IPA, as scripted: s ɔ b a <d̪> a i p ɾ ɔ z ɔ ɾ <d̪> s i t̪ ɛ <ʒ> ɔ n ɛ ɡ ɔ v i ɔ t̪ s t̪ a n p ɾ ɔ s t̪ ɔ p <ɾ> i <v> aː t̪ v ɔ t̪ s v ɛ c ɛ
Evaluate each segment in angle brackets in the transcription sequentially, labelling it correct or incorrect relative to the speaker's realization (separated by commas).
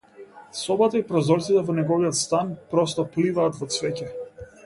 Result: incorrect, incorrect, incorrect, incorrect, correct